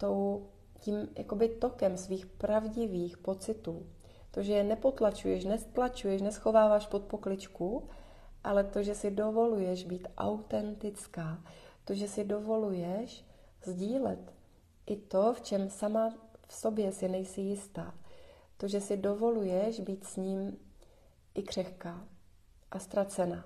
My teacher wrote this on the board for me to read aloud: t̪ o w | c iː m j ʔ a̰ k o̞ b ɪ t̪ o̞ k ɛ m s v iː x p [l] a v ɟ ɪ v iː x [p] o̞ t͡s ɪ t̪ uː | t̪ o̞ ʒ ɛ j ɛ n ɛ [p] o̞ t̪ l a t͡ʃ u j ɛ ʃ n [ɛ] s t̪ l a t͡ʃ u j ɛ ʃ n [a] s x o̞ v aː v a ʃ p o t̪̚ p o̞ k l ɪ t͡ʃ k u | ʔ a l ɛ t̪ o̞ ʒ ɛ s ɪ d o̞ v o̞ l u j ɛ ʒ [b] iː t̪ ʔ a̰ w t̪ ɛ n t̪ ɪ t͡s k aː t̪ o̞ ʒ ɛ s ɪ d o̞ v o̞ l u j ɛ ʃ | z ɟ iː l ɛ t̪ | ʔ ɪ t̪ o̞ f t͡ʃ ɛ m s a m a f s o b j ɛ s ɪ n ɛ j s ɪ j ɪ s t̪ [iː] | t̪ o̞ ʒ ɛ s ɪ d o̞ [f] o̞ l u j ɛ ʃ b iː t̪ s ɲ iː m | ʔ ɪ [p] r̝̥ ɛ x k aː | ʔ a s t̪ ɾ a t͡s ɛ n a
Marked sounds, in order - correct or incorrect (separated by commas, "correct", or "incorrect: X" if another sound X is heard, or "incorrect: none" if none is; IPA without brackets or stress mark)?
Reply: incorrect: ɾ, correct, correct, correct, incorrect: ɛ, correct, incorrect: aː, incorrect: v, incorrect: k